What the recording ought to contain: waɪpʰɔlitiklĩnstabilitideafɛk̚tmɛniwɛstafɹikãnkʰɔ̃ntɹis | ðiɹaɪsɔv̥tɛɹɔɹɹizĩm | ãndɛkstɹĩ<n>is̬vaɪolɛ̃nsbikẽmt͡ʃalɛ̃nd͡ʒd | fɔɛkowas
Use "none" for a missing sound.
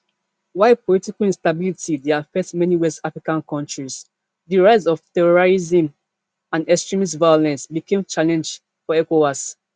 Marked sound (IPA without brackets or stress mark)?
m